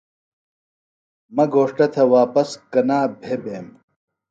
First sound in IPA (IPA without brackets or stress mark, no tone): m